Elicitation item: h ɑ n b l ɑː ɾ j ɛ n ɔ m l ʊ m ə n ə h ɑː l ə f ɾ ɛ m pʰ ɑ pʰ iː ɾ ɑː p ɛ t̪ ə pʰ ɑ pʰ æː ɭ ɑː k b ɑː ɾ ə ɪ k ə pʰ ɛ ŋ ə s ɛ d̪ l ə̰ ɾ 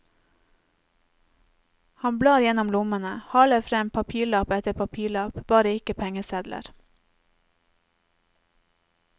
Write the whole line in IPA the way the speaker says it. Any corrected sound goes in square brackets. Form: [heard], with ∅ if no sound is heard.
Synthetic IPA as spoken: h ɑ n b l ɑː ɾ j ɛ n ɔ m l ʊ m ə n ə h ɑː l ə f ɾ ɛ m pʰ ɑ pʰ iː [ɭ] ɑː p ɛ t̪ ə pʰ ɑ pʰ [iː] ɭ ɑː [p] b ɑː ɾ ə ɪ k ə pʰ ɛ ŋ ə s ɛ d̪ l ə̰ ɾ